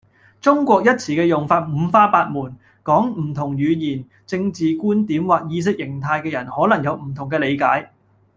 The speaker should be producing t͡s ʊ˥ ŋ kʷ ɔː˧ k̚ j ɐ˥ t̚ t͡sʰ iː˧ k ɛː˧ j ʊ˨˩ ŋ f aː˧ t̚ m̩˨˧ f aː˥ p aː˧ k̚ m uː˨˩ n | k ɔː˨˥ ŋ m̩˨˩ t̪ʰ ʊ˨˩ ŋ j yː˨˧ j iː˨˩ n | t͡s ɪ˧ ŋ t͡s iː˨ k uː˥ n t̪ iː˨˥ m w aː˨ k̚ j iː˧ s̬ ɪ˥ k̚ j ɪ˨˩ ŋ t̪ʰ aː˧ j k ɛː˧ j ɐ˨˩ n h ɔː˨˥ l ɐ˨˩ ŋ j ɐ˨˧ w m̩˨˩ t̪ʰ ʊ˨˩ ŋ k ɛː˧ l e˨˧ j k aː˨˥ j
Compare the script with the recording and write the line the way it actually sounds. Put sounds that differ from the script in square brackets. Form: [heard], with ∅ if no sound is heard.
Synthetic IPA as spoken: t͡s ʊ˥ ŋ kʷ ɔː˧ k̚ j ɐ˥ t̚ t͡sʰ [iː˨˩] k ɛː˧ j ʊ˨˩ ŋ f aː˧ t̚ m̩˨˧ f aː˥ p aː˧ [t̚] m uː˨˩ n | k ɔː˨˥ ŋ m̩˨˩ t̪ʰ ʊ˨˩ ŋ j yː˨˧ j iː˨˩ n | t͡s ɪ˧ ŋ t͡s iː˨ k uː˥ n t̪ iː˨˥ m w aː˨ k̚ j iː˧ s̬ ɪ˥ k̚ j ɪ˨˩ ŋ t̪ʰ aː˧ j k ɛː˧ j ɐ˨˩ n h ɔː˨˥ l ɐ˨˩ ŋ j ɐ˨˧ w m̩˨˩ t̪ʰ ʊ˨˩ ŋ k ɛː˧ l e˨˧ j k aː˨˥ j